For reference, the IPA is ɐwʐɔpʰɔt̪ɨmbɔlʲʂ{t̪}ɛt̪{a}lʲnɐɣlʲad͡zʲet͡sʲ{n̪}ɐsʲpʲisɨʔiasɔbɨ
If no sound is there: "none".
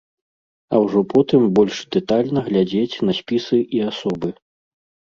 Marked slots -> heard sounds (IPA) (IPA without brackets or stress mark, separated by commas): d̪, a, n̪